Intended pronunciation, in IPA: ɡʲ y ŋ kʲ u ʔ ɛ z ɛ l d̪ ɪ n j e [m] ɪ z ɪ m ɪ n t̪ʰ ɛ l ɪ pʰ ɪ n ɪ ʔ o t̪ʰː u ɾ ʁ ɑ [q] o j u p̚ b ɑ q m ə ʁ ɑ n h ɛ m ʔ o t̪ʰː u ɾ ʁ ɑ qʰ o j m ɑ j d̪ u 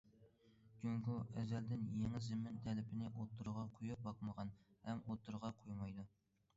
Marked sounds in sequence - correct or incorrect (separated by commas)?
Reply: incorrect, incorrect